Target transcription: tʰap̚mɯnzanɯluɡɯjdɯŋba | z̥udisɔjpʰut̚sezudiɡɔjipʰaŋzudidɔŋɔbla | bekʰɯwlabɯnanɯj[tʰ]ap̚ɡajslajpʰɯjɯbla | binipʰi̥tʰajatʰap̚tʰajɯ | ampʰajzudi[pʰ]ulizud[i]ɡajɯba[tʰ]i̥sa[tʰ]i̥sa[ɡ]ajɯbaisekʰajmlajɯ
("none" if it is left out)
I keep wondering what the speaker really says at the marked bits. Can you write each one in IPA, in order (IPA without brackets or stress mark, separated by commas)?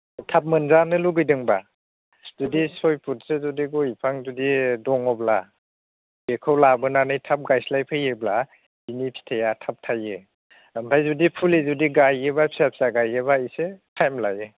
tʰ, pʰ, i, pʰ, pʰ, ɡ